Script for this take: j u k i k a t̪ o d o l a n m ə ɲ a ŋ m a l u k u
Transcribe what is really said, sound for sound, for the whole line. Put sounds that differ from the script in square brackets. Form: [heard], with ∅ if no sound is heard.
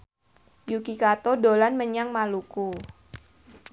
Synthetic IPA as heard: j u k i k a t̪ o d o l a n m ə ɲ a ŋ m a l u k u